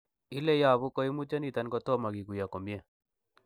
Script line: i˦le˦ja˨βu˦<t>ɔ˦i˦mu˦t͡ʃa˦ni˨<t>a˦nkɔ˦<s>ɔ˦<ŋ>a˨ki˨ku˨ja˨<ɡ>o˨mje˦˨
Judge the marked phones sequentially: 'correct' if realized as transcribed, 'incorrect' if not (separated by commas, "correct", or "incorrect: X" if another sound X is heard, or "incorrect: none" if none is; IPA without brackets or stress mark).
incorrect: k, correct, incorrect: t, incorrect: m, incorrect: k